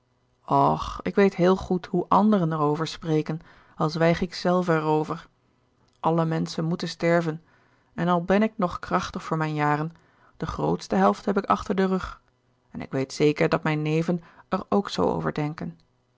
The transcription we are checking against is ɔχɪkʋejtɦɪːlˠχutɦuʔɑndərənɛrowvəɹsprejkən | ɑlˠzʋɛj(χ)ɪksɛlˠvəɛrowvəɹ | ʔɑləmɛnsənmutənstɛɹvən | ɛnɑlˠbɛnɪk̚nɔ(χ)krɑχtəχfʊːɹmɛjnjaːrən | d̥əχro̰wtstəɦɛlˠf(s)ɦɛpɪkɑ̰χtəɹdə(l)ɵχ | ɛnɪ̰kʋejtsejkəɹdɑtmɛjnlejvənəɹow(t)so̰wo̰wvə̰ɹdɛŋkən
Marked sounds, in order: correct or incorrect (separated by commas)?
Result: correct, correct, incorrect, incorrect, incorrect